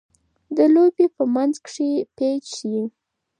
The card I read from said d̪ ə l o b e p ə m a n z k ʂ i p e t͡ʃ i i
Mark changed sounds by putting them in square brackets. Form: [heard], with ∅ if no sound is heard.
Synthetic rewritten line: d̪ ə l o b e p ə m a n z k ʂ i p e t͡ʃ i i